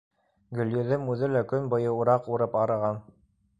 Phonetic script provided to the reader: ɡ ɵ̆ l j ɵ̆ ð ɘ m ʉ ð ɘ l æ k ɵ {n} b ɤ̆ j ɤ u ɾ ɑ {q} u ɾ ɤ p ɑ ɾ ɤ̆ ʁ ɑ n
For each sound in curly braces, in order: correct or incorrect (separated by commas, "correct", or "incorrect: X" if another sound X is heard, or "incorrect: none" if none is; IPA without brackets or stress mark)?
correct, correct